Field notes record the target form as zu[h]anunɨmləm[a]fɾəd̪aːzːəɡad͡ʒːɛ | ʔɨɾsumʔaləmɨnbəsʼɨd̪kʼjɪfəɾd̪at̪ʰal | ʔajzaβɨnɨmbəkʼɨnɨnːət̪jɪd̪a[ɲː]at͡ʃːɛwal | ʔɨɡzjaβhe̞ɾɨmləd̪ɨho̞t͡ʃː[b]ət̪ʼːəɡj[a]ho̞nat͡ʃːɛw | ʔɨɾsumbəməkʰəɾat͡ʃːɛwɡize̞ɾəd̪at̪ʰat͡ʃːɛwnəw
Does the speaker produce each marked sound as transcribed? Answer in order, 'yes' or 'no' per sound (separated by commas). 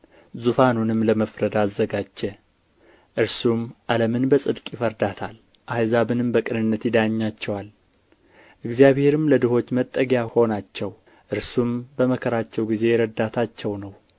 no, no, yes, no, yes